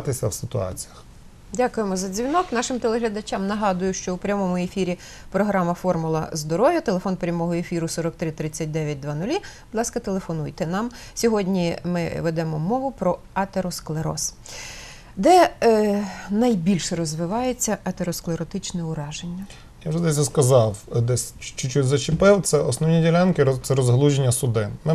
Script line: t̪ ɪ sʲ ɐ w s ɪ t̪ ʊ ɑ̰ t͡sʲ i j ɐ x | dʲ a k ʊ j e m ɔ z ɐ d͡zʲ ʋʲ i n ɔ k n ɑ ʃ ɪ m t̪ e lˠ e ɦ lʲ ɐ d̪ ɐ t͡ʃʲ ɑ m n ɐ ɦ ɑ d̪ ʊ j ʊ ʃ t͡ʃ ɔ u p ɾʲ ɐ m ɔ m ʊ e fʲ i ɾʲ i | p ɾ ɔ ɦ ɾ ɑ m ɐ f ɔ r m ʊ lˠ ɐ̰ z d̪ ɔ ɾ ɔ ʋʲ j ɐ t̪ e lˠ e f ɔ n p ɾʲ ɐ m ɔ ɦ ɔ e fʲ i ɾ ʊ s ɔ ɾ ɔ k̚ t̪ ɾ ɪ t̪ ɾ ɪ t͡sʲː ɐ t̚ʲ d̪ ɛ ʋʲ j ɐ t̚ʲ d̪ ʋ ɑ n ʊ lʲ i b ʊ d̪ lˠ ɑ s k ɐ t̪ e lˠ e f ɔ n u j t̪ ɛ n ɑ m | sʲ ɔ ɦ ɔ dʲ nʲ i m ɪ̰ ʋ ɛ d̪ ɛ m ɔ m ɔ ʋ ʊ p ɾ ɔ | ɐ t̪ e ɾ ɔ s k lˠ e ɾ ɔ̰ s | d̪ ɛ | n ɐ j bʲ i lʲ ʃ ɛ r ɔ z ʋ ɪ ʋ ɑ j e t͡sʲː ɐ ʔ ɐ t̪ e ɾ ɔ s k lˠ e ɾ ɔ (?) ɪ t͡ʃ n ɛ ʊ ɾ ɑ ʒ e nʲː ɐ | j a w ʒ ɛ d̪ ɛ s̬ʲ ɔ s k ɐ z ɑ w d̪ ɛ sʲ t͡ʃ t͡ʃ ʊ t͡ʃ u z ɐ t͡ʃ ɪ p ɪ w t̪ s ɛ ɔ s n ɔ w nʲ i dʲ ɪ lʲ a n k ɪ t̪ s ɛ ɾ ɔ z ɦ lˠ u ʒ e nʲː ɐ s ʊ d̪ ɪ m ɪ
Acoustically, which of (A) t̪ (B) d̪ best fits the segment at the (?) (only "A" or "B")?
A